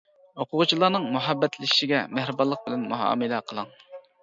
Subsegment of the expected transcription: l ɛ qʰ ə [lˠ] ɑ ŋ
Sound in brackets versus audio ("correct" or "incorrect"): correct